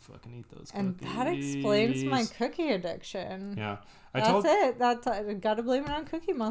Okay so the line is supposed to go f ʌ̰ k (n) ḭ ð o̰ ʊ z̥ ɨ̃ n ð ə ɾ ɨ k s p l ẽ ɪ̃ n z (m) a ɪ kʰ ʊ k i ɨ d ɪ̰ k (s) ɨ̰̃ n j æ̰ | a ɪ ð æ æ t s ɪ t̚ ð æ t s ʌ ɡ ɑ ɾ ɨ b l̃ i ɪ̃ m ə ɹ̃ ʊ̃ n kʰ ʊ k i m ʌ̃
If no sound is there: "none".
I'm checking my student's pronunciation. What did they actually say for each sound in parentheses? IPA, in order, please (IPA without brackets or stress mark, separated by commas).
n, m, ʃ